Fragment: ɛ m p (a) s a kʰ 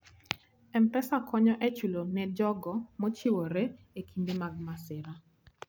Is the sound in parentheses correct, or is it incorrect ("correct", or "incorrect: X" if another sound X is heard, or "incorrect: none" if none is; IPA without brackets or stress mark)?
incorrect: ɛ